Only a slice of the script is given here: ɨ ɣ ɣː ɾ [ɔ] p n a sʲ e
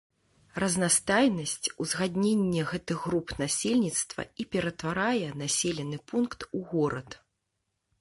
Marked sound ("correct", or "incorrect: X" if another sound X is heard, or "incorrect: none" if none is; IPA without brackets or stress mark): incorrect: u